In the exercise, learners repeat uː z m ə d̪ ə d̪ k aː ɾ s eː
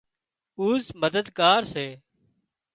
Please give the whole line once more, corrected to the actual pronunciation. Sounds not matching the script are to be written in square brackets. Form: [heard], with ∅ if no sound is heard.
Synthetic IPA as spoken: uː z m ə d̪ ə d̪ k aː ɾ s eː

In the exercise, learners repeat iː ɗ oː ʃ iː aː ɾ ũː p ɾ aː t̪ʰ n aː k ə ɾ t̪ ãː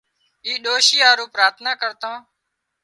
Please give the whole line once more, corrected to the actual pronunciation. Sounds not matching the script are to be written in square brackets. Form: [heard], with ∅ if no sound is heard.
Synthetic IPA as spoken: iː ɗ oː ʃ iː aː ɾ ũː p ɾ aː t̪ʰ n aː k ə ɾ t̪ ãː

